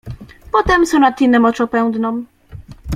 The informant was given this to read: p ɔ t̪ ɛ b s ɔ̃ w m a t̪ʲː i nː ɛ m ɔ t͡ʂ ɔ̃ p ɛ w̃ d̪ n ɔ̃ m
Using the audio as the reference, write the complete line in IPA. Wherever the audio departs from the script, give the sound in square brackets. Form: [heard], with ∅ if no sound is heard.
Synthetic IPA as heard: p ɔ t̪ ɛ [m] s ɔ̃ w [n] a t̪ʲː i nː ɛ m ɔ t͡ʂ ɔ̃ p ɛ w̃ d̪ n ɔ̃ m